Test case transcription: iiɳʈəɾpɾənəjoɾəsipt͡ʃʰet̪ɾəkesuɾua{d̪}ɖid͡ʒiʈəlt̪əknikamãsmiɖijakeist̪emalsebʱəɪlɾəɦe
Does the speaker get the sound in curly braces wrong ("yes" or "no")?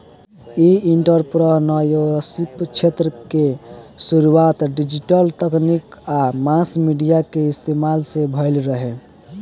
yes